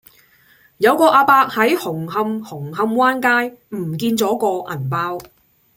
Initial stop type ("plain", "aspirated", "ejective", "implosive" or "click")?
plain